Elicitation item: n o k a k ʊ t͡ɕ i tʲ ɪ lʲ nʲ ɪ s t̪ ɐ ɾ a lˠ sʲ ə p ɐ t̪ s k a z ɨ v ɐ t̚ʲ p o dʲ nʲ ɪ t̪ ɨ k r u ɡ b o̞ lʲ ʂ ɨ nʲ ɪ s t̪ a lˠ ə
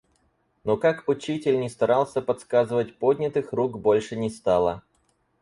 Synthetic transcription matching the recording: n o k a k ʊ t͡ɕ i tʲ ɪ lʲ nʲ ɪ s t̪ ɐ ɾ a lˠ sʲ ə p ɐ t̪ s k a z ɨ v ə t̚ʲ p o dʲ nʲ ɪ t̪ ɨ x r u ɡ b o̞ lʲ ʂ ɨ nʲ ɪ s t̪ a lˠ ə